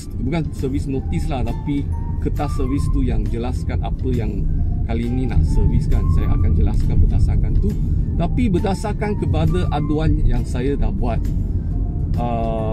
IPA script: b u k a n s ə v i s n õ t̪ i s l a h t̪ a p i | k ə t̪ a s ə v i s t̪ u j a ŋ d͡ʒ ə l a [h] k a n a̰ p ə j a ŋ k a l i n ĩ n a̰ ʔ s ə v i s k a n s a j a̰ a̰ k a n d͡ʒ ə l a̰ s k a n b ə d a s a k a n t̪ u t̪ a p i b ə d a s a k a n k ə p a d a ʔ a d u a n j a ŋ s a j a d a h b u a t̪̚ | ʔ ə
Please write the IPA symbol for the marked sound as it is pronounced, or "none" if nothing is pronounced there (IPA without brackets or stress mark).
s